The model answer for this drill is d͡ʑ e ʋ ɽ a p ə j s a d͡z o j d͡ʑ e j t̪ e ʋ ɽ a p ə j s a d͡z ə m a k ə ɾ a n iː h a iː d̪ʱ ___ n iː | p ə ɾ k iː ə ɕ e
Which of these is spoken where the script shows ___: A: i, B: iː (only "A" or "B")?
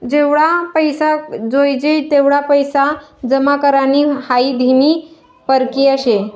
A